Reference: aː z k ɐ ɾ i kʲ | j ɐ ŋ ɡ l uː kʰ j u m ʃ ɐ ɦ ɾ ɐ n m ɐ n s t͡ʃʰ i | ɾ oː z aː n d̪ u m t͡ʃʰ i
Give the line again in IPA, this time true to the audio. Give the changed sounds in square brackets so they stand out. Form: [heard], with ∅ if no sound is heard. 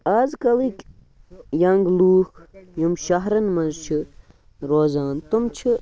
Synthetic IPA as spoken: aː z k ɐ [l] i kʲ | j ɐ ŋ ɡ l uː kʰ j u m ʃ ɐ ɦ ɾ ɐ n m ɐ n [z] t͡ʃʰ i | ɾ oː z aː n [t̪] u m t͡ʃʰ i